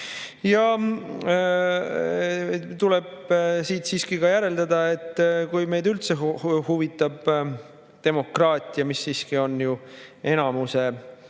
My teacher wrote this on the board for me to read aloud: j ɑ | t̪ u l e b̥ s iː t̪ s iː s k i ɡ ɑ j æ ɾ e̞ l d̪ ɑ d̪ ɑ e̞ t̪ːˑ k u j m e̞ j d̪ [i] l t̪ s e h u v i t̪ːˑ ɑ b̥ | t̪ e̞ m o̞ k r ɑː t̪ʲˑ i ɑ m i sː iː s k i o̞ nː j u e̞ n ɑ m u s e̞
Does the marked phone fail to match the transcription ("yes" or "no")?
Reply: yes